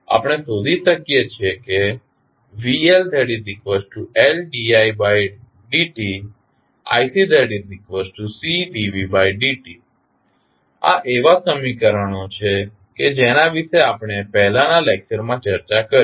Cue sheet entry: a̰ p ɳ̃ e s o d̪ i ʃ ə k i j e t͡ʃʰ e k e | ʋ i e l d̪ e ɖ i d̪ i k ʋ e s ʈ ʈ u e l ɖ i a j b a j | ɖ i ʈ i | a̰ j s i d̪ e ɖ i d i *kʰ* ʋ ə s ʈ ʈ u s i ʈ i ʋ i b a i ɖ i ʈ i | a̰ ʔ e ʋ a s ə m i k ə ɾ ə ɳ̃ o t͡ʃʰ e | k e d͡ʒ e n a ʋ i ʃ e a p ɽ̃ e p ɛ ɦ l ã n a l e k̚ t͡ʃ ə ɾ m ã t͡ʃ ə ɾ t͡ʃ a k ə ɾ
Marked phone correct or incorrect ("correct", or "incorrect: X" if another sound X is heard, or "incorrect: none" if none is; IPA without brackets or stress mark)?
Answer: incorrect: k